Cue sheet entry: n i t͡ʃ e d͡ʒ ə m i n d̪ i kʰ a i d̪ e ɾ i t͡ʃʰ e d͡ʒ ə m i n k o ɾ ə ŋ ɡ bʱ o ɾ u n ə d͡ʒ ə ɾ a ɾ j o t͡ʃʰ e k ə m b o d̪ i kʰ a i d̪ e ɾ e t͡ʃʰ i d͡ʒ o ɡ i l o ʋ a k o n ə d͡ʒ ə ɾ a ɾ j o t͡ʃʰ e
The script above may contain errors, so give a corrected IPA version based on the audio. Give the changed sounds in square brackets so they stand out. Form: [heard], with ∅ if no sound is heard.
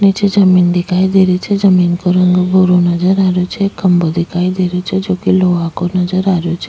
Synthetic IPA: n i t͡ʃ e d͡ʒ ə m i n d̪ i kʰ a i d̪ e ɾ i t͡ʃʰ e d͡ʒ ə m i n k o ɾ ə ŋ ɡ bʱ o ɾ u n ə d͡ʒ ə ɾ a ɾ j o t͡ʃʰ e k ə m b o d̪ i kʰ a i d̪ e ɾ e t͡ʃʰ [e] d͡ʒ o [k] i l o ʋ a k o n ə d͡ʒ ə ɾ a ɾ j o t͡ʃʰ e

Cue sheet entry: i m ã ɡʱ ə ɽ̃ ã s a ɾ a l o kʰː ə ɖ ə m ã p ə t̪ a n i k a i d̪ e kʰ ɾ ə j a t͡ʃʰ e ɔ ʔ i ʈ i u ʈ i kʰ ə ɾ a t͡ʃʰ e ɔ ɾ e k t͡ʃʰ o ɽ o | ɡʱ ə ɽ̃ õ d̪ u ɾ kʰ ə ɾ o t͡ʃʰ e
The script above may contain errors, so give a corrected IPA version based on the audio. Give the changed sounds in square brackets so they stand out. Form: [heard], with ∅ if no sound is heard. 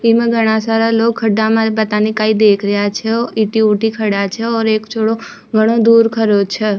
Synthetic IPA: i m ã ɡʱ ə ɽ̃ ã s a ɾ a l o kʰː ə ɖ [a] m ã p ə t̪ a n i k a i d̪ e kʰ ɾ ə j a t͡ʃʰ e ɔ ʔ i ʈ i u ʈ i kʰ ə [ɽ] a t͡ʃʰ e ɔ ɾ e k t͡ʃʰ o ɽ o | ɡʱ ə ɽ̃ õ d̪ u ɾ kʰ ə ɾ o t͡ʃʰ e

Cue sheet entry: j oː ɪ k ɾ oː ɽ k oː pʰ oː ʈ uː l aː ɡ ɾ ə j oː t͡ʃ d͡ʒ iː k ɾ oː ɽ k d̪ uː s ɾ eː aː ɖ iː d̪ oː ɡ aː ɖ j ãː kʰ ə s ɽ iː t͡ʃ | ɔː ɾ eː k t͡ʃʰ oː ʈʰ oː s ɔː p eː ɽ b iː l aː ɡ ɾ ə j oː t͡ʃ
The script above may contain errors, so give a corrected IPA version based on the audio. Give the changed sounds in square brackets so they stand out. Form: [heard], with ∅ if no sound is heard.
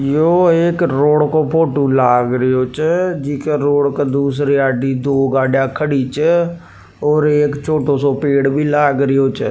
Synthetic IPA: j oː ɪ k ɾ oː ɽ k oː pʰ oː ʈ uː l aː ɡ ɾ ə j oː t͡ʃ d͡ʒ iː k ɾ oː ɽ k d̪ uː s ɾ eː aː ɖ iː d̪ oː ɡ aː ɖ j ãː kʰ ə [∅] ɽ iː t͡ʃ | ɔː ɾ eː k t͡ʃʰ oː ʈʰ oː s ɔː p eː ɽ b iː l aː ɡ ɾ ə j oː t͡ʃ

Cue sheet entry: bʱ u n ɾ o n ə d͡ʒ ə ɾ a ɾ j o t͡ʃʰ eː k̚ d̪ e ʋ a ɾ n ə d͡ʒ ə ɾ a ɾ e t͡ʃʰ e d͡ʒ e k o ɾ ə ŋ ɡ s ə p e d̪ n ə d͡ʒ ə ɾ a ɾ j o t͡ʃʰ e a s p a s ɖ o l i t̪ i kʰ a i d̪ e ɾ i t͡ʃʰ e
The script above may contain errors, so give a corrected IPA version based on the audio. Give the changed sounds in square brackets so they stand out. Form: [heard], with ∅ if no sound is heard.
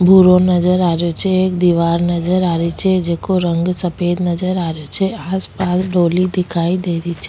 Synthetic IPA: bʱ u [∅] ɾ o n ə d͡ʒ ə ɾ a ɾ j o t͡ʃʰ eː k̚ d̪ [i] ʋ a ɾ n ə d͡ʒ ə ɾ a ɾ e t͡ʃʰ e d͡ʒ e k o ɾ ə ŋ ɡ s ə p e d̪ n ə d͡ʒ ə ɾ a ɾ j o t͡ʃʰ e a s p a s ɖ o l i [d̪] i kʰ a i d̪ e ɾ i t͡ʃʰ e

